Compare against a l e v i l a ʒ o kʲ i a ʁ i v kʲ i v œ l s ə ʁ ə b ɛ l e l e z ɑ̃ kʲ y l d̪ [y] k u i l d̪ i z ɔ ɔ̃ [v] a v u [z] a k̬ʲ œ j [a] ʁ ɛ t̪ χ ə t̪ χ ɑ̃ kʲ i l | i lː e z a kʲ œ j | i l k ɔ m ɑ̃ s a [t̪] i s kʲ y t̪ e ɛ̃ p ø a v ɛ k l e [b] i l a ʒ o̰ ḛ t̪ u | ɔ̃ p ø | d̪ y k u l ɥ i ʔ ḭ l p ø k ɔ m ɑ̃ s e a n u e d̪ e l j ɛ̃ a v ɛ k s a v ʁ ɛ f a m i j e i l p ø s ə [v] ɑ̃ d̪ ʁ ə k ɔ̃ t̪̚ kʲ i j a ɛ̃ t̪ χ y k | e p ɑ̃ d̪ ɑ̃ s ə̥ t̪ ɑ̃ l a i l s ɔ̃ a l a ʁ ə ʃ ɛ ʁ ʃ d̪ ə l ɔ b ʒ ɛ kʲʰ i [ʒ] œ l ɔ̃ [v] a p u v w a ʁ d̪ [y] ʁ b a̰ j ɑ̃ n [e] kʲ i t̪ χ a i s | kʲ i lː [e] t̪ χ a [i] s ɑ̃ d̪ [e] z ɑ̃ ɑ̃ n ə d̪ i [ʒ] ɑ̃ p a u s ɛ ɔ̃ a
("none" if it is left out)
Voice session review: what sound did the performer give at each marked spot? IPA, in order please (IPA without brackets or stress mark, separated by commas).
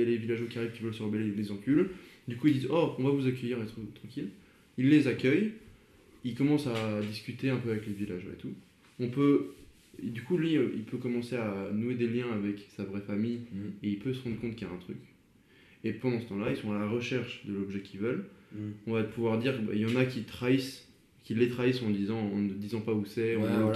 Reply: y, v, z, i, d̪, v, ʁ, v, v, i, a, e, i, i, z